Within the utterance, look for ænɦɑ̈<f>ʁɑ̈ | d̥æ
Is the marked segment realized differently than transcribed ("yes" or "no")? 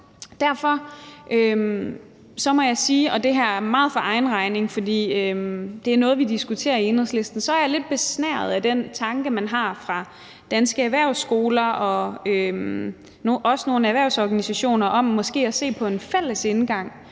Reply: no